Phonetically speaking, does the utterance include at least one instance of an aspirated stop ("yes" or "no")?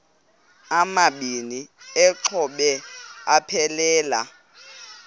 yes